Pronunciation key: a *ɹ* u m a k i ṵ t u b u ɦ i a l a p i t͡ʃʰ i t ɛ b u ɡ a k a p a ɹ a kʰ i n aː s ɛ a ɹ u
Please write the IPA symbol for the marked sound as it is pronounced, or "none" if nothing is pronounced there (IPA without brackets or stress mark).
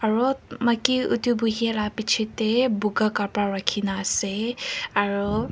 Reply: ɹ